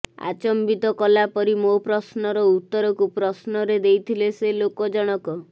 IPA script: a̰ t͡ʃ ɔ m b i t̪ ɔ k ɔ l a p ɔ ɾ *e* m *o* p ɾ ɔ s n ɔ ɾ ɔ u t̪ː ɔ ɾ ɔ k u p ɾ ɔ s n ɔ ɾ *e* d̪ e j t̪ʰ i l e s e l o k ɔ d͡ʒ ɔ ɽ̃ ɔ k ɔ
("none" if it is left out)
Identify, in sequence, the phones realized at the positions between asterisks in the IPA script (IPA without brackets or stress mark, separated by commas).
i, o, e